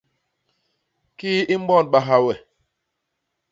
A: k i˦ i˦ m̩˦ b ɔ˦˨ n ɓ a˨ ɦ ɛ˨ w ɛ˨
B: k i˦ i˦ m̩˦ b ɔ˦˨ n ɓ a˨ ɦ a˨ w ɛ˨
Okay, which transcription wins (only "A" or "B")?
B